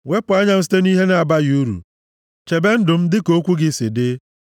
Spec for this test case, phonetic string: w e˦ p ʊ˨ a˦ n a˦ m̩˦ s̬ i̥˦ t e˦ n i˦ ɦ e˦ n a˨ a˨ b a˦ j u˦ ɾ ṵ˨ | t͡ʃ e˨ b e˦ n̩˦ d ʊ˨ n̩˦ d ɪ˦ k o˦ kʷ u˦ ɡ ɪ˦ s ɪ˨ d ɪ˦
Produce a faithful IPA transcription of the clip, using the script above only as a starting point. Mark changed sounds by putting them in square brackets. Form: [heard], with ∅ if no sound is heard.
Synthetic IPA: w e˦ p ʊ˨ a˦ [ɲ] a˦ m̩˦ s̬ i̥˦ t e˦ n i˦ ɦ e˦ n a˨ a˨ b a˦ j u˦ ɾ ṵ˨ | t͡ʃ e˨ b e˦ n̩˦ d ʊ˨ [m̩˦] d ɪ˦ k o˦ kʷ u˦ ɡ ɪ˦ s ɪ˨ d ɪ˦